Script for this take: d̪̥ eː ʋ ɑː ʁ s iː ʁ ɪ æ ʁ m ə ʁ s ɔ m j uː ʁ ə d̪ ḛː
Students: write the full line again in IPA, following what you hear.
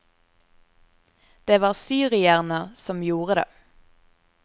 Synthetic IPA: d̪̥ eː ʋ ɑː ʁ s yː ʁ ɪ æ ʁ n ə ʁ s ɔ m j uː ʁ ə d̪ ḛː